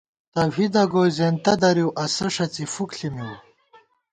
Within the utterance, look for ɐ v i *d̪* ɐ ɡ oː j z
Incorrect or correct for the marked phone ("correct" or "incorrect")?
correct